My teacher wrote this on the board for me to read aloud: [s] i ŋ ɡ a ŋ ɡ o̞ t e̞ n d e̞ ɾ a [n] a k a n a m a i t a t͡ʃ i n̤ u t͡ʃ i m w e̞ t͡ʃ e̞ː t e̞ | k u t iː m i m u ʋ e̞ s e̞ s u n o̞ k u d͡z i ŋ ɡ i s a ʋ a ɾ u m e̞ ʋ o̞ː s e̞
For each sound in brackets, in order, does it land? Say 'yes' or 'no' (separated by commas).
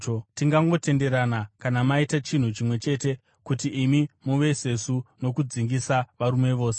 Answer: no, yes